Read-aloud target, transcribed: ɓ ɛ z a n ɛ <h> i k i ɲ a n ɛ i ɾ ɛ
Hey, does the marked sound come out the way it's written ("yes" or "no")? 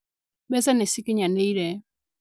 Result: no